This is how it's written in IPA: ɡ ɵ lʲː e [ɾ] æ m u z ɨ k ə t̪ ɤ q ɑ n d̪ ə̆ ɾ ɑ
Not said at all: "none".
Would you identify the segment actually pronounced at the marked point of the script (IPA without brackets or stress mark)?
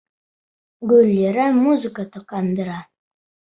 ɾ